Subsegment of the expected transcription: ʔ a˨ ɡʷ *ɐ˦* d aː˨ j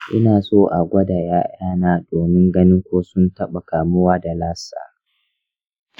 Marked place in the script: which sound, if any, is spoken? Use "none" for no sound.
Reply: ɐ˦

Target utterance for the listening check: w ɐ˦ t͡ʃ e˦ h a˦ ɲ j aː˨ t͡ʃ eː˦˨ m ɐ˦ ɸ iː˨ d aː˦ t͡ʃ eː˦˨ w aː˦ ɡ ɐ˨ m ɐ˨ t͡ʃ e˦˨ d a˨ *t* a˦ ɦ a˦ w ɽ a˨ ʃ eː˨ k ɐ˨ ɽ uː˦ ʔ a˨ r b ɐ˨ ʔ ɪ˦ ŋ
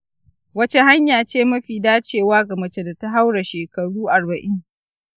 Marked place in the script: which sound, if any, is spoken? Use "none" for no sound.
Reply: t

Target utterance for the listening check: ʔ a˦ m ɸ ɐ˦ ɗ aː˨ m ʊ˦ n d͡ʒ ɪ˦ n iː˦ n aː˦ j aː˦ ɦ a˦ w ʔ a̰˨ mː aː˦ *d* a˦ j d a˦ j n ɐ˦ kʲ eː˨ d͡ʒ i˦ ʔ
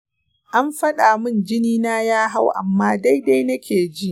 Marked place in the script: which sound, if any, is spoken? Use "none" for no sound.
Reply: d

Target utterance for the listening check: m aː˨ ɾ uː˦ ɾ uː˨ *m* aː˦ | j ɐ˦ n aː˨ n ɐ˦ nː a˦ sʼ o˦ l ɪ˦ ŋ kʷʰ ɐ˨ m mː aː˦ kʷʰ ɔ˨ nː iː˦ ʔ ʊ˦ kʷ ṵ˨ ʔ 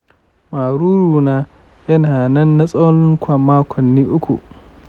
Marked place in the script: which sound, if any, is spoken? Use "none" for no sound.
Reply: n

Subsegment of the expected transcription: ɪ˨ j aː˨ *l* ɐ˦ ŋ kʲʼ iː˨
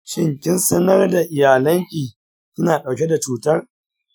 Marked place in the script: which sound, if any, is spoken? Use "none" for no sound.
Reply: l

